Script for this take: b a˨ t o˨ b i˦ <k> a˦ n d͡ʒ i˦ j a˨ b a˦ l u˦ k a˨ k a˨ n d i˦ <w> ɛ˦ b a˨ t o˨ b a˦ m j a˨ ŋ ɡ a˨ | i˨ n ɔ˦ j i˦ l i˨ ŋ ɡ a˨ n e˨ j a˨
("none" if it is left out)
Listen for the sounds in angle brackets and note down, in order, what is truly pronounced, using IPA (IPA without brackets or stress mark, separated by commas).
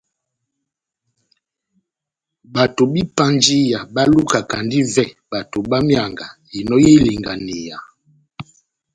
p, v